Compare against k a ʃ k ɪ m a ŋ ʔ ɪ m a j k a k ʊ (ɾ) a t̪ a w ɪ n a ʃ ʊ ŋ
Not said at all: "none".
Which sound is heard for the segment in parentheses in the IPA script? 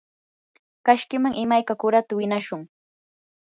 ɾ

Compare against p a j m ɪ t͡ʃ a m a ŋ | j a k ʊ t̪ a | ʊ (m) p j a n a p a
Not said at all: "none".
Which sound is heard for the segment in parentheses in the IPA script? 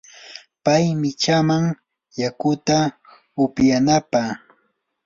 none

